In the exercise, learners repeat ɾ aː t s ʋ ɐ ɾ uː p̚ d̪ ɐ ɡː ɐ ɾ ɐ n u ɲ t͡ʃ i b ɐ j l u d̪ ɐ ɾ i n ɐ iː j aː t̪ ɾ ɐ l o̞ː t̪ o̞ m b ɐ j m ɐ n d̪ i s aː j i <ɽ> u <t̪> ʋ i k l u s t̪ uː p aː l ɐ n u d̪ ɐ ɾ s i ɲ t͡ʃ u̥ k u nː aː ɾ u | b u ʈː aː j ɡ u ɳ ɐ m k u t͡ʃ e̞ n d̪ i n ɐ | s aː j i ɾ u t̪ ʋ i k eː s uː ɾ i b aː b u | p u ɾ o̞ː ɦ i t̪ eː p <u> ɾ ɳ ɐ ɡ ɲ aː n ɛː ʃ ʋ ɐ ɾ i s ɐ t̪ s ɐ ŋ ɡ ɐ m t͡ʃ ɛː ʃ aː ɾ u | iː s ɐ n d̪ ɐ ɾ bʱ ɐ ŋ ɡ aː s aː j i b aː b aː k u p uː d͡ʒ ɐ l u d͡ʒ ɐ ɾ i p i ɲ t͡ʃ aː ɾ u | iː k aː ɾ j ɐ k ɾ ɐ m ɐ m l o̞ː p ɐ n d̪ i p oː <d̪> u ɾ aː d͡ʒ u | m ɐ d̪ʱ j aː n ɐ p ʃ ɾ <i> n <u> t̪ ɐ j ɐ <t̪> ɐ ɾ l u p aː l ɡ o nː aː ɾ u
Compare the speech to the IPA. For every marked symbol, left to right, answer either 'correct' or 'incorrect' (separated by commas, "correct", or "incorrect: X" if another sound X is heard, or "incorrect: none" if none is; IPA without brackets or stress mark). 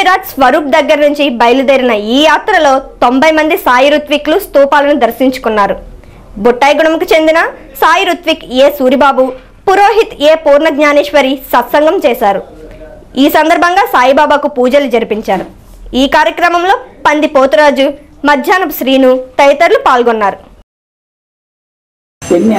incorrect: ɾ, correct, incorrect: uː, incorrect: t̪, incorrect: iː, correct, correct